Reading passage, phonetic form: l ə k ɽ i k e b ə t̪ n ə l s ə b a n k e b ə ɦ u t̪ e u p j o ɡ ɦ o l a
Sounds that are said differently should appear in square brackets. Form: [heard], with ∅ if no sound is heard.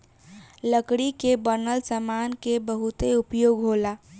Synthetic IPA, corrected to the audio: l ə k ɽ i k e b ə [∅] n ə l s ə [m] a n k e b ə ɦ u t̪ e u p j o ɡ ɦ o l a